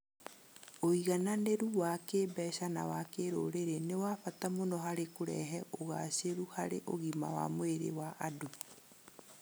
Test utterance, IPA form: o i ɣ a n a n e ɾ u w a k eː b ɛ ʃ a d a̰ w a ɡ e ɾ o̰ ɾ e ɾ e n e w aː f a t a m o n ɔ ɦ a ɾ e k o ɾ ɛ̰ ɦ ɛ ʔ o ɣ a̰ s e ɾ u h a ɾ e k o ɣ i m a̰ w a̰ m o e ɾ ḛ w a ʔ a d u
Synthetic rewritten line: o i ɣ a n a n e ɾ u w a k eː b ɛ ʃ a n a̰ w a k e ɾ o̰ ɾ e ɾ e n e w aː f a t a m o n ɔ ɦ a ɾ e k o ɾ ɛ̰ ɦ ɛ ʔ o ɣ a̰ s e ɾ u h a ɾ e ʔ o ɣ i m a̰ w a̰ m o e ɾ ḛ w a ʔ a d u

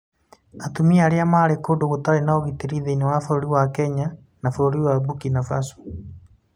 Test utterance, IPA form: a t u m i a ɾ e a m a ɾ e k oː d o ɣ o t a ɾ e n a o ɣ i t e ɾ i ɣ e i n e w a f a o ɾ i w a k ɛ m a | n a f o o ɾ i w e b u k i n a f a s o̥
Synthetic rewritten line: a t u m i a ɾ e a m a ɾ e k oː d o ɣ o t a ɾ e n a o ɣ i t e ɾ i ð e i n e w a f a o ɾ i w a k ɛ ɲ a | n a f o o ɾ i w a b u k i n a f a s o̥

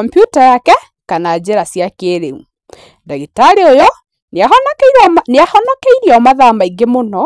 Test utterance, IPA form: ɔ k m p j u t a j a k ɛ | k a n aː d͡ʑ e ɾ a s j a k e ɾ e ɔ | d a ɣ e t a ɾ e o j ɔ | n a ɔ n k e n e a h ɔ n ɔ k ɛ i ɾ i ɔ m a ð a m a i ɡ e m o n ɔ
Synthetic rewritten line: ɔ m p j u t a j a k ɛ | k a n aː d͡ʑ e ɾ a s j a k e ɾ e u | d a ɣ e t a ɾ e o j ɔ | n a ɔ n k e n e a h ɔ n ɔ k e i ɾ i ɔ m a ð a m a i ɡ e m o n ɔ

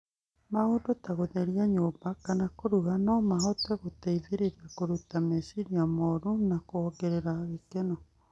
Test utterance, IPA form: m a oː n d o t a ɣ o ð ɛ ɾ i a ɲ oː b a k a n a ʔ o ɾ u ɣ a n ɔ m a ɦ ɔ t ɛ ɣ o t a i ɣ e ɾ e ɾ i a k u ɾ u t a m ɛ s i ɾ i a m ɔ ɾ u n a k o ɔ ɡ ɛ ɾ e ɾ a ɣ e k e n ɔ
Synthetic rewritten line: m a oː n d o t a ɣ o ð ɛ ɾ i a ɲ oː b a k a n a k o ɾ u ɣ a n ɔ m a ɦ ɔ t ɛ ɣ o t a i ð e ɾ e ɾ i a k o ɾ u t a m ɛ s i ɾ i a m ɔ ɾ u n a k o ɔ ɡ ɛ ɾ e ɾ a ɣ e k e n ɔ

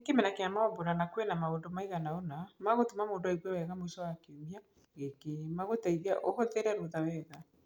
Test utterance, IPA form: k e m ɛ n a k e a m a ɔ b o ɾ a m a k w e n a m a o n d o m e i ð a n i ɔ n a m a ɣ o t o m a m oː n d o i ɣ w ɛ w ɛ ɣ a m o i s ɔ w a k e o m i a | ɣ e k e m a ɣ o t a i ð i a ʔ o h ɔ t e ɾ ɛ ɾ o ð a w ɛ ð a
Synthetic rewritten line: k e m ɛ n a k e a m a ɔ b o ɾ a n a k w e n a m a o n d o m a i ɣ a n a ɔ n a m a ɣ o t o m a m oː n d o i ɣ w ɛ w ɛ ɣ a m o i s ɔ w a k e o m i a | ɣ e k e m a ɣ o t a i ð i a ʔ o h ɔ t e ɾ ɛ ɾ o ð a w ɛ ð a

